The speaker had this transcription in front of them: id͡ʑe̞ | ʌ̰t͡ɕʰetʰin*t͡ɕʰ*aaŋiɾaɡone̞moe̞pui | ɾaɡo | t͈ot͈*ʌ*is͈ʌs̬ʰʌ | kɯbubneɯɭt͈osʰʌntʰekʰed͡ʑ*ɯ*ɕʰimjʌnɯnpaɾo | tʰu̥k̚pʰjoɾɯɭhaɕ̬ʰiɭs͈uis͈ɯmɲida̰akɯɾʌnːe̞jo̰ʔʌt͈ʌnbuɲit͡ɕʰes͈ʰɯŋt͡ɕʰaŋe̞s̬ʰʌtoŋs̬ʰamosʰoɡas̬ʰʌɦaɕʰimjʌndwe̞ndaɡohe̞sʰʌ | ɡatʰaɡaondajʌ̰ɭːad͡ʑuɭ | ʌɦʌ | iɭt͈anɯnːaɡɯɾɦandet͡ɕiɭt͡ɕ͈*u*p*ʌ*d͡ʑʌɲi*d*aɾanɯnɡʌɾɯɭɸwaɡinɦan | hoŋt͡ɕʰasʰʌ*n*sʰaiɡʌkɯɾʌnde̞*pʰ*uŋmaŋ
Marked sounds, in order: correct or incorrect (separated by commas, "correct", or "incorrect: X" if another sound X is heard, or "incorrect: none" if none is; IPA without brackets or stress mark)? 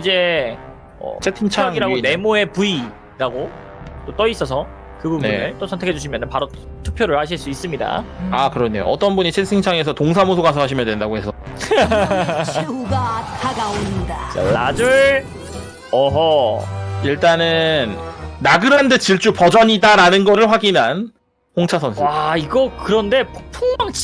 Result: correct, correct, incorrect: u, correct, correct, correct, correct, correct